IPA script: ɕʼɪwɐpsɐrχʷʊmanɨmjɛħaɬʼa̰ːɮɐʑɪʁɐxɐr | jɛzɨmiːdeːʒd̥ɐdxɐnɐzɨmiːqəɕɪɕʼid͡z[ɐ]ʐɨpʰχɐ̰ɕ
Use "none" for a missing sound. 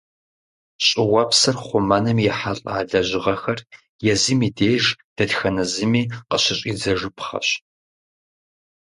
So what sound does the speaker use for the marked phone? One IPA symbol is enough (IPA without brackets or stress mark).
ɐ